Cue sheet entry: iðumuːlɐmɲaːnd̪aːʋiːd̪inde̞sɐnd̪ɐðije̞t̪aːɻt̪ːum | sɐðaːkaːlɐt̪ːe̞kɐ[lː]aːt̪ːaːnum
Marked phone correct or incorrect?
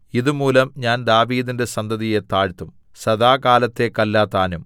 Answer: correct